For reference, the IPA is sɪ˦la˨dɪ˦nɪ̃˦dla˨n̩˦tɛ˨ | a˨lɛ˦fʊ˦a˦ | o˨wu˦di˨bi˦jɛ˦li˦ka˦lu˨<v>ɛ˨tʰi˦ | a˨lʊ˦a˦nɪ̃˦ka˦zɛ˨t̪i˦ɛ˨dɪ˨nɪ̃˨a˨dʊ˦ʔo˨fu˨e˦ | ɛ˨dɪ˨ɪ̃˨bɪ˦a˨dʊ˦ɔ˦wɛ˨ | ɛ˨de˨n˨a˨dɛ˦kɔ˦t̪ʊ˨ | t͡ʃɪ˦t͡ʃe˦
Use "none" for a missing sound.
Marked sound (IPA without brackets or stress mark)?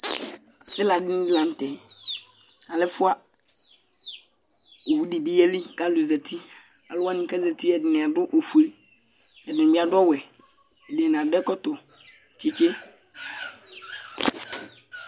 z